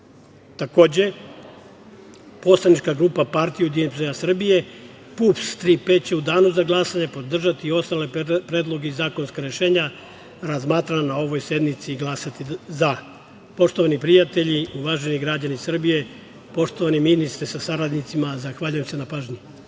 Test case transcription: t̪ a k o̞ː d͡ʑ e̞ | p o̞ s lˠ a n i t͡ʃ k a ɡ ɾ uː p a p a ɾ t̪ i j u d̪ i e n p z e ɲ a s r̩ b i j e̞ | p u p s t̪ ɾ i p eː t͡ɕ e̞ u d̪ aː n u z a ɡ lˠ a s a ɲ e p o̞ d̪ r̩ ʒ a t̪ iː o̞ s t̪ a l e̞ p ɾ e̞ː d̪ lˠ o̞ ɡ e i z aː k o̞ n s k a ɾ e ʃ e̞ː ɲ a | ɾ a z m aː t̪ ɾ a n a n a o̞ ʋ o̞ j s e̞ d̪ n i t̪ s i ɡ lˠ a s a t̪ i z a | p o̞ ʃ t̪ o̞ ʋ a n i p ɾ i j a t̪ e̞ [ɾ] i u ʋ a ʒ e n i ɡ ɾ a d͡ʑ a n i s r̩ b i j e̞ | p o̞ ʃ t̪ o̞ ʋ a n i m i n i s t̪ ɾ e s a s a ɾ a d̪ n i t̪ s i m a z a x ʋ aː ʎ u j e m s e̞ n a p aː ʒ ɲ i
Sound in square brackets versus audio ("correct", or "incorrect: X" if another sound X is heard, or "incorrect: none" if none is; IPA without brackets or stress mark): incorrect: ʎ